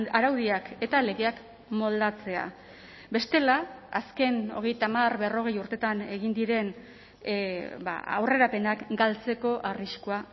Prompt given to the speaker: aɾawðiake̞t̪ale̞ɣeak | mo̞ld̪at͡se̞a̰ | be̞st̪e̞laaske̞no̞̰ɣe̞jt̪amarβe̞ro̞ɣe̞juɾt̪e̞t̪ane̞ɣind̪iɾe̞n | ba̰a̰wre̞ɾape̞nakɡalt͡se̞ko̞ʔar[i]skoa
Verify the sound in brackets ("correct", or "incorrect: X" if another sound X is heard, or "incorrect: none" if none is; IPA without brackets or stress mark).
correct